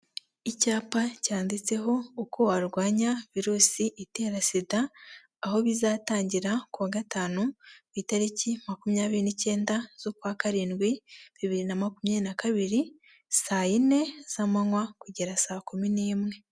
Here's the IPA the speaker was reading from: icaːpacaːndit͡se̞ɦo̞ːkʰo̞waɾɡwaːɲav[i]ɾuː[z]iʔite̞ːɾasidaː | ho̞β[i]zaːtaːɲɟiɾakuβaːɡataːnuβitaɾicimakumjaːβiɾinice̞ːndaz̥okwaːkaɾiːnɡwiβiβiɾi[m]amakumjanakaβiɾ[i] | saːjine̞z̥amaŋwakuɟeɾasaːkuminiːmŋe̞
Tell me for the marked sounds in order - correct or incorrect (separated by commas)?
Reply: correct, incorrect, correct, incorrect, correct